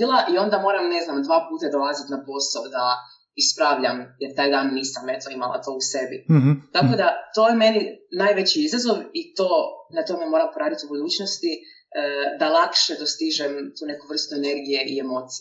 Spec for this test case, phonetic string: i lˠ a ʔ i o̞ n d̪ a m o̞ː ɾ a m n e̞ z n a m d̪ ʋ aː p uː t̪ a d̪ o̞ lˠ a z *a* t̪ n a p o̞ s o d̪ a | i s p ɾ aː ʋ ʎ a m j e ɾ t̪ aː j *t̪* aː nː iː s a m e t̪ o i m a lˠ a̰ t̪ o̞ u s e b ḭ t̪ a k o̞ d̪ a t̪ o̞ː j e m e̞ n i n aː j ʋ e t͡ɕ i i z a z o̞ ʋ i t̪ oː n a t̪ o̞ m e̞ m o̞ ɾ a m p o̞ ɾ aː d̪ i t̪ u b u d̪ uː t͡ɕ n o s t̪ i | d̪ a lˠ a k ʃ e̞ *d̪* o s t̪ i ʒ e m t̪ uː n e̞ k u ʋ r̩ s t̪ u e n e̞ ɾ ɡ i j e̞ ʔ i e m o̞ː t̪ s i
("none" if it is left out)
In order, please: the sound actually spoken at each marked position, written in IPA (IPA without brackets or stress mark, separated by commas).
i, d̪, d̪